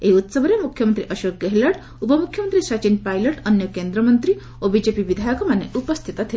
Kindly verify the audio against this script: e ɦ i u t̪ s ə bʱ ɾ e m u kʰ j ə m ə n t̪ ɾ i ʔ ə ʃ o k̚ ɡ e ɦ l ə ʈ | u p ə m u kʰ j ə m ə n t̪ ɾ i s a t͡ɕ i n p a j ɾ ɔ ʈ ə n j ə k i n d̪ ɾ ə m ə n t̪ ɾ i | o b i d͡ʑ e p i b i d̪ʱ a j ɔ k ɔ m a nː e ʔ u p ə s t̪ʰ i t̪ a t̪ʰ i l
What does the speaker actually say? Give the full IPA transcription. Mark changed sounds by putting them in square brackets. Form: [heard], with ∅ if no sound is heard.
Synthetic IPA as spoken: e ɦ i u t̪ s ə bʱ ɾ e m u kʰ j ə m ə n t̪ ɾ i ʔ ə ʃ o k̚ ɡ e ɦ l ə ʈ | u p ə m u kʰ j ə m ə n t̪ ɾ i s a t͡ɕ i n p a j [l] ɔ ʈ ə n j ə k [e] n d̪ ɾ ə m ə n t̪ ɾ i | o b i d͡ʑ e p i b i d̪ʱ a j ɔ k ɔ m a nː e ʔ u p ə s t̪ʰ i t̪ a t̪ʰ i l

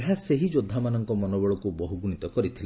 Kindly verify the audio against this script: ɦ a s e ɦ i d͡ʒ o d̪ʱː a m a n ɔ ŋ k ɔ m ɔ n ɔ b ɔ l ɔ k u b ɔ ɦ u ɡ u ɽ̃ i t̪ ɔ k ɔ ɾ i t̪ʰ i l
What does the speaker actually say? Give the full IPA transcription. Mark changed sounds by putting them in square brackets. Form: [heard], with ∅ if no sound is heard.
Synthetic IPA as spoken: ɦ a s e ɦ i d͡ʒ o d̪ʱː a m a n ɔ ŋ k ɔ m ɔ n ɔ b ɔ [ɭ] ɔ k u b ɔ ɦ u ɡ u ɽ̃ i t̪ ɔ k ɔ ɾ i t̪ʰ i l

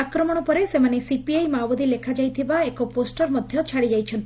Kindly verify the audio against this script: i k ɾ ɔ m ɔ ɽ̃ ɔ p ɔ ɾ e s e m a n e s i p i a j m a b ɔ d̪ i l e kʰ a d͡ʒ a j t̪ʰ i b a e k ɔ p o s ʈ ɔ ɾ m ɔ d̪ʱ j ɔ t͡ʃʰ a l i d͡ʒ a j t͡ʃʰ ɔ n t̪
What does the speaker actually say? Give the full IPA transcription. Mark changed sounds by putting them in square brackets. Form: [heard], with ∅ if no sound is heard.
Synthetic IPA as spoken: [a] k ɾ ɔ m ɔ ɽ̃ ɔ p ɔ ɾ e s e m a n e s i p i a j m a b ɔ d̪ i l e kʰ a d͡ʒ a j t̪ʰ i b a e k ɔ p o s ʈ ɔ ɾ m ɔ d̪ʱ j ɔ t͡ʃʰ a [ɽ] i d͡ʒ a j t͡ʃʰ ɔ n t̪

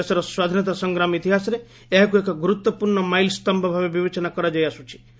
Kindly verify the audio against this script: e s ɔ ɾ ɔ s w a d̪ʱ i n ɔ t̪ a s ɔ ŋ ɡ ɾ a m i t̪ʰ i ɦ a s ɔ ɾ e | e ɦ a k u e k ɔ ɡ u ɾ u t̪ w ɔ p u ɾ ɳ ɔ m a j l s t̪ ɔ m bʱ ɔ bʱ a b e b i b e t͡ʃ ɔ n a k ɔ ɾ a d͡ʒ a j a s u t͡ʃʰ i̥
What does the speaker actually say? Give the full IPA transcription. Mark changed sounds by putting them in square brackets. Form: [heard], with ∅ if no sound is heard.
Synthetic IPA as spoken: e s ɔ ɾ ɔ s w a d̪ʱ i n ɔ t̪ a s ɔ ŋ ɡ ɾ a m i [t̪] i ɦ a s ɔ ɾ e | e ɦ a k u e k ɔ ɡ u ɾ u t̪ w ɔ p u ɾ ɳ ɔ m a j l s t̪ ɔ m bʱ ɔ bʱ a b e b i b e t͡ʃ ɔ n a k ɔ ɾ a d͡ʒ a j a s u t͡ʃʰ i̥

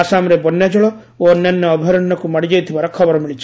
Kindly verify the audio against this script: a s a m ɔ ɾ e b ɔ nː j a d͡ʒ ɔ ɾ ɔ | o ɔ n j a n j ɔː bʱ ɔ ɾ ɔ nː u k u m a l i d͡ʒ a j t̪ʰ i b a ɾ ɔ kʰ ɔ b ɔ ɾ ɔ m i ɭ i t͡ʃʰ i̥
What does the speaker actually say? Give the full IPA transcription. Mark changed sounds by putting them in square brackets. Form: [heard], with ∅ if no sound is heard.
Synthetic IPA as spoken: a s a m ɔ ɾ e b ɔ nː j a d͡ʒ ɔ [ɭ] ɔ | o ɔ n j a n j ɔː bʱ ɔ ɾ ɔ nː [ɔ] k u m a [ɽ] i d͡ʒ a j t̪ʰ i b a ɾ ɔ kʰ ɔ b ɔ ɾ ɔ m i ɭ i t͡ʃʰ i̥

